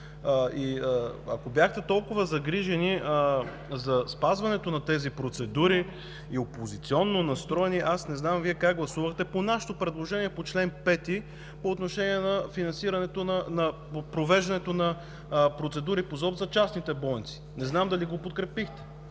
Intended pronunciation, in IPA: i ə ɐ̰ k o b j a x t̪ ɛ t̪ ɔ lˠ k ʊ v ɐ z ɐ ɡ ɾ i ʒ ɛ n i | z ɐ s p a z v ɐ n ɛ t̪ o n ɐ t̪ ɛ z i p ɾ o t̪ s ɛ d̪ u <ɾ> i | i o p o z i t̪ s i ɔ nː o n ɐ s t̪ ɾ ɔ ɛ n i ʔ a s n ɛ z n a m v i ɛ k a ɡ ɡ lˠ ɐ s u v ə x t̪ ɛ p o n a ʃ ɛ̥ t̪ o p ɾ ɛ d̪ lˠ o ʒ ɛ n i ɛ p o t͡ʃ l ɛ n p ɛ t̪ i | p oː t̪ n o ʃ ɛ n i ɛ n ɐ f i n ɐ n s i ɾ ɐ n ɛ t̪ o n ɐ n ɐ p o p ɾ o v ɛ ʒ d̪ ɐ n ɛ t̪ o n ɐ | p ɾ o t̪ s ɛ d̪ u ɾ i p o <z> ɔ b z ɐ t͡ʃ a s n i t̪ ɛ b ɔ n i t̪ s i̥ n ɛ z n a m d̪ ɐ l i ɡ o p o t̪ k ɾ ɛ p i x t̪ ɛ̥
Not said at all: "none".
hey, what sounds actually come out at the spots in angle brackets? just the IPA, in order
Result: ɾ, z

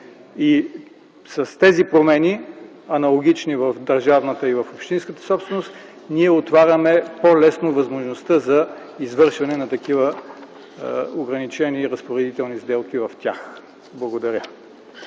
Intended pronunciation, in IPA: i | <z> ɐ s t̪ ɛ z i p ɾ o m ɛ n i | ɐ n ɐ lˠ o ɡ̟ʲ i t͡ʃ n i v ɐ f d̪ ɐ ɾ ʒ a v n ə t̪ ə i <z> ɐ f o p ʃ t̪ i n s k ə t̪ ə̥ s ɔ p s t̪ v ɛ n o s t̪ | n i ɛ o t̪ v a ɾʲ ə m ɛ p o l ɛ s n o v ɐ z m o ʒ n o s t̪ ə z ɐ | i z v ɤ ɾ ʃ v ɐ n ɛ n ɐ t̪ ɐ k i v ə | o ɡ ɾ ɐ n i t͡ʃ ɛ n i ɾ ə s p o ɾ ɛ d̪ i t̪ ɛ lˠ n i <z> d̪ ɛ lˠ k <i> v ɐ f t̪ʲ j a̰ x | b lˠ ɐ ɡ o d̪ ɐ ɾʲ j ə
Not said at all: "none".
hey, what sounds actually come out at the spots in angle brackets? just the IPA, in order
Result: s, v, z, i

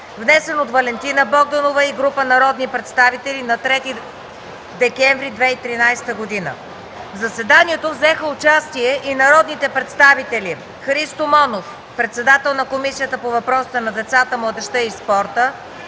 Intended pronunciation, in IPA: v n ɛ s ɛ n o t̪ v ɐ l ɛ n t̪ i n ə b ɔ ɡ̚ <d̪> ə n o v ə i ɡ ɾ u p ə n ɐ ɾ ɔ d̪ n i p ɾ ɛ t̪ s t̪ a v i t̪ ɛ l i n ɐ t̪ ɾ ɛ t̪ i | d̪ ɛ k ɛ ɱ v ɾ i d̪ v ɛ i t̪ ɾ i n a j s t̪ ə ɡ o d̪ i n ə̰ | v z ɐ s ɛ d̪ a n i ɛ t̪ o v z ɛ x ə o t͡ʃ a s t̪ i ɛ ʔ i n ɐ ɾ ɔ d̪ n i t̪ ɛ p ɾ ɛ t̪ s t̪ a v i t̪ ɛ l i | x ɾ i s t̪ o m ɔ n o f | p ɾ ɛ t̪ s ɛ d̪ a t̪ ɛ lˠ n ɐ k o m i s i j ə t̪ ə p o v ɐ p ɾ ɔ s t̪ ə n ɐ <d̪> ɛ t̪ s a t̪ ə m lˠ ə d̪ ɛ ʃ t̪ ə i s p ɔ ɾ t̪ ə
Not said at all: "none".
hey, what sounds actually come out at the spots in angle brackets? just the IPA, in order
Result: d̪, d̪

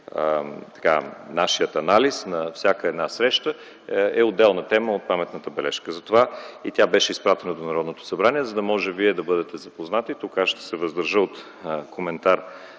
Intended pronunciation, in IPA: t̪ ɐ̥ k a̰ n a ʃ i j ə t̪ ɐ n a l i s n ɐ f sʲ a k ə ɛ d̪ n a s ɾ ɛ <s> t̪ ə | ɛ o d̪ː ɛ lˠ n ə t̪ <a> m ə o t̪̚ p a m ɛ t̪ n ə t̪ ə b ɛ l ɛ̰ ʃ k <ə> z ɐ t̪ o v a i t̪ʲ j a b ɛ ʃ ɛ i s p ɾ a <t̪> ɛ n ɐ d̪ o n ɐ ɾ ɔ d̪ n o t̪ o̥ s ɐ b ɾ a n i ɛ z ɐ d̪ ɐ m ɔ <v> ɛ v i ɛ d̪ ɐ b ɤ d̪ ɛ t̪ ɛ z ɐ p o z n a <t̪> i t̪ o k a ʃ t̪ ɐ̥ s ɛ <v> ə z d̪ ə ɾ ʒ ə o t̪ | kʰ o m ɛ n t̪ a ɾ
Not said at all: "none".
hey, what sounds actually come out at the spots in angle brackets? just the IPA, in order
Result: ʃ, ɛ, ə, t̪, ʒ, t̪, v

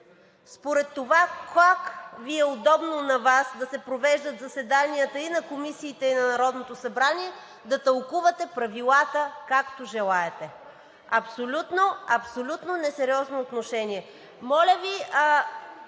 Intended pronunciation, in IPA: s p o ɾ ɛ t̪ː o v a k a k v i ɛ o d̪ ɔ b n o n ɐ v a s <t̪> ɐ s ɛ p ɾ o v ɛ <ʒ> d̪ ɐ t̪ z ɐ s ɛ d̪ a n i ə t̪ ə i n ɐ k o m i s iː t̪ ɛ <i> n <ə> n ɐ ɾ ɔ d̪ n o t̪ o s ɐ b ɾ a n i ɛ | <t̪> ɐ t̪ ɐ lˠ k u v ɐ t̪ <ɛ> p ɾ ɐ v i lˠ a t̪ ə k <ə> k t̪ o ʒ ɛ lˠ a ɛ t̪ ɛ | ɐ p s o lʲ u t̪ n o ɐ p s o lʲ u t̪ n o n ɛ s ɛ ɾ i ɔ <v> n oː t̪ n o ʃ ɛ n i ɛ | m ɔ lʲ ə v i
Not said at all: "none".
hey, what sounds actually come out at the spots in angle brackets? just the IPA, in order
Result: d̪, ʒ, i, ɐ, d̪, ɛ, a, z

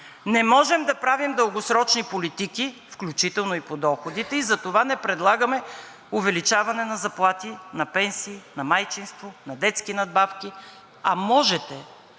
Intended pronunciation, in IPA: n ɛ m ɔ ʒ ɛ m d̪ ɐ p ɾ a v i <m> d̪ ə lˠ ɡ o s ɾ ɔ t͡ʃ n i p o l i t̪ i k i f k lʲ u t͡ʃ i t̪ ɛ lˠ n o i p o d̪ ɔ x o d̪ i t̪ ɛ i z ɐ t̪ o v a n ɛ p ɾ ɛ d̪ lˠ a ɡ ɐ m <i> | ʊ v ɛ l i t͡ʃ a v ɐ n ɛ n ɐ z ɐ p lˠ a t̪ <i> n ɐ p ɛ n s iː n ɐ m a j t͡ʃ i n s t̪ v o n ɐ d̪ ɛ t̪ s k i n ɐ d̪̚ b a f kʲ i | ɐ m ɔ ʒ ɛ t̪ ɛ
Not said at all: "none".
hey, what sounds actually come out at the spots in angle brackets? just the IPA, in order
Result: m, ɛ, i

